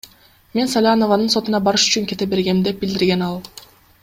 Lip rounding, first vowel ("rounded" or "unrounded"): unrounded